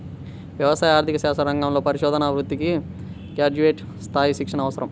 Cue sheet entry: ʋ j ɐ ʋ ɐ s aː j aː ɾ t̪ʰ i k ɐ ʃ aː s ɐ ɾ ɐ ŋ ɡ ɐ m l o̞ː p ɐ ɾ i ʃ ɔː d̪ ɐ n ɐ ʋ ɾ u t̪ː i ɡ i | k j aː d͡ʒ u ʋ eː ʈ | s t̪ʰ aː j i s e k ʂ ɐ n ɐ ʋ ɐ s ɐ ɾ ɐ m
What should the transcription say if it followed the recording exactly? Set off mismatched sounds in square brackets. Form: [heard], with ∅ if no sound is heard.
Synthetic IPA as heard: ʋ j ɐ ʋ ɐ s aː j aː ɾ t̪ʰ i k ɐ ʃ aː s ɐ ɾ ɐ ŋ ɡ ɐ m l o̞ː p ɐ ɾ i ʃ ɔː d̪ ɐ n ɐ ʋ ɾ u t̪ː i [k] i | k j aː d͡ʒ u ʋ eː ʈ | s t̪ʰ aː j i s [i] k ʂ ɐ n ɐ ʋ ɐ s ɐ ɾ ɐ m